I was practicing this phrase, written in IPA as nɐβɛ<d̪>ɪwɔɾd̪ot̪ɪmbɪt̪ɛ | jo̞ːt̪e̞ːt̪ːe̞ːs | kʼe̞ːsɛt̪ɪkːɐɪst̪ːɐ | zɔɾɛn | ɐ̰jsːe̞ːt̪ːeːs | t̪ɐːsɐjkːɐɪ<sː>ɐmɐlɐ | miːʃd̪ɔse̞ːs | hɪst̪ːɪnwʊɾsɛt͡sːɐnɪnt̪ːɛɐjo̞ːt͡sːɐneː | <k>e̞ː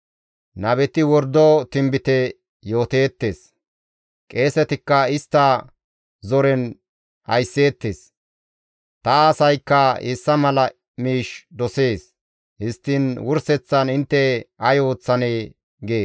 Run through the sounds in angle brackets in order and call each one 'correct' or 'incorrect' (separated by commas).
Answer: incorrect, correct, incorrect